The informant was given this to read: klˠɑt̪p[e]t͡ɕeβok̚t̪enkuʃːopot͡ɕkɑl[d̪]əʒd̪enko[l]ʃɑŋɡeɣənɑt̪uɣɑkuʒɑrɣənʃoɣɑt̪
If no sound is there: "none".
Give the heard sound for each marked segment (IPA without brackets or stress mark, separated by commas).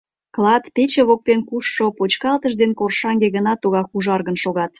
e, t̪, r